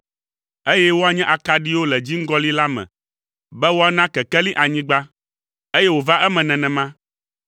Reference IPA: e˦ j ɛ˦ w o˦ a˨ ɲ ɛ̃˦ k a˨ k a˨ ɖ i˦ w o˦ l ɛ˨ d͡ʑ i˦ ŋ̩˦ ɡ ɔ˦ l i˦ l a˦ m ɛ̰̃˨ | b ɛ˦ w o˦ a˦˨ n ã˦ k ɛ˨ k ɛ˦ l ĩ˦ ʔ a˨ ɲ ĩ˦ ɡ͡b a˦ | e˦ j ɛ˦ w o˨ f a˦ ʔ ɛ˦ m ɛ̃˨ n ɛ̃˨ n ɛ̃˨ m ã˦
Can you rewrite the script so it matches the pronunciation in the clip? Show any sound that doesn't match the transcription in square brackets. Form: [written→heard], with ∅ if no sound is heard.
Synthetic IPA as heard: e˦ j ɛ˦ w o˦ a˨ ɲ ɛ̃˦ [k→ʔ] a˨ k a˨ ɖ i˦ w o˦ l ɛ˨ d͡ʑ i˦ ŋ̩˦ ɡ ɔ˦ l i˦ l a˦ m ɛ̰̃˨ | b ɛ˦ w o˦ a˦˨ n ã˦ k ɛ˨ k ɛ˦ l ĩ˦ ʔ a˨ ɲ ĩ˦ ɡ͡b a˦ | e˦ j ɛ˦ w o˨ [f→v] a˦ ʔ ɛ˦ m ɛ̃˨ n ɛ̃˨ n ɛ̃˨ m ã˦